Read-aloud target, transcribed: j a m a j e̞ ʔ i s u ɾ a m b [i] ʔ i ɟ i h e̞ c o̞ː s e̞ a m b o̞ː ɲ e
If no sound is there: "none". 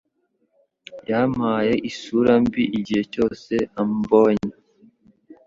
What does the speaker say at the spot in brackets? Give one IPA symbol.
i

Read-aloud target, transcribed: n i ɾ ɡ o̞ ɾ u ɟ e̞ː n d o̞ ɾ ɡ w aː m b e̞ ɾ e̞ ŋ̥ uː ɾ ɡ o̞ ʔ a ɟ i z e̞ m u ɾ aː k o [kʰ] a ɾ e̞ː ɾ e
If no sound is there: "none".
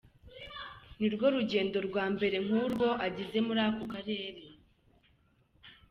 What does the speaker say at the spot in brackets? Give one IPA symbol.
k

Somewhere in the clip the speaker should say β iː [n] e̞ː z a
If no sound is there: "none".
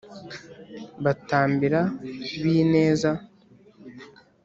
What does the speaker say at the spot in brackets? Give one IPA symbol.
n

